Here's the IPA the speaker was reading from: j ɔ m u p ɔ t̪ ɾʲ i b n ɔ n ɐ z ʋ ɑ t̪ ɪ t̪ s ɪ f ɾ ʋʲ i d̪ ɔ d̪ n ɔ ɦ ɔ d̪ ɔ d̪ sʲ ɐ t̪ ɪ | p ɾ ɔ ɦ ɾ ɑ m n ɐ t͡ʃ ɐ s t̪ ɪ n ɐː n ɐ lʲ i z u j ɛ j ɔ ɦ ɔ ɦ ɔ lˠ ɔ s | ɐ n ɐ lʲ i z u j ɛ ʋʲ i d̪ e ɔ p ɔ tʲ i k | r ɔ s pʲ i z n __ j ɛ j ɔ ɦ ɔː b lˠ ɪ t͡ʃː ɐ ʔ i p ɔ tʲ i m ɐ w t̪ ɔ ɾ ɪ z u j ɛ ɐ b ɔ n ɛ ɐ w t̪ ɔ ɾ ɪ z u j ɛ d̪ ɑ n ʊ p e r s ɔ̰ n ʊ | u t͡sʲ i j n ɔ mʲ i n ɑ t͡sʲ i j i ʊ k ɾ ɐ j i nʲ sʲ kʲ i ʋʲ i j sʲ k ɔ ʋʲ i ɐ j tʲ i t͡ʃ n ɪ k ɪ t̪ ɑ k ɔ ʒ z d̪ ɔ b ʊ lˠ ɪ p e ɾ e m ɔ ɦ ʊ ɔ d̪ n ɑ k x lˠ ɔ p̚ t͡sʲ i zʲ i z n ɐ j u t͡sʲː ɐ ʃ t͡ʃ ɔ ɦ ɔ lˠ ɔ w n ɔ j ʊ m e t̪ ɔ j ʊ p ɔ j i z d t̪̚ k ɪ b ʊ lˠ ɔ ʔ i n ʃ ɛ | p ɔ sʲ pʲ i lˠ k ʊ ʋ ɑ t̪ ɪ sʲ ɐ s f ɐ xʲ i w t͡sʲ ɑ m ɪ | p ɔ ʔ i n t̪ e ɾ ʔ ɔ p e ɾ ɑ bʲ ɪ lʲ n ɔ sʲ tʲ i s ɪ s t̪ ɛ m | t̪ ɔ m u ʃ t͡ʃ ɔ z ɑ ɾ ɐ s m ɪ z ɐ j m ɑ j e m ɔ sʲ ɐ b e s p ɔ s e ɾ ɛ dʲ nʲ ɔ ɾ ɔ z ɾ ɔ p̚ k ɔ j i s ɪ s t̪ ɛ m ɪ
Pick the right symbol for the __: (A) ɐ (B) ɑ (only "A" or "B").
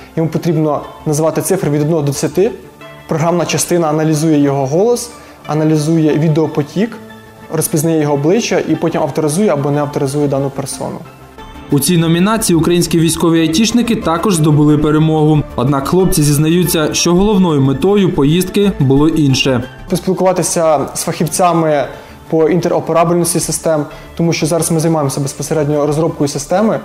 A